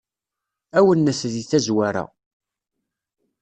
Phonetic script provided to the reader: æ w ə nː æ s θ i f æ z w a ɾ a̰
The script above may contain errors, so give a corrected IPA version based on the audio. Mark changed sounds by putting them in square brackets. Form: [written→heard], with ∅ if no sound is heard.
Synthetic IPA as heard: æ w ə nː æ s [θ→ð] i [f→θ] æ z w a ɾ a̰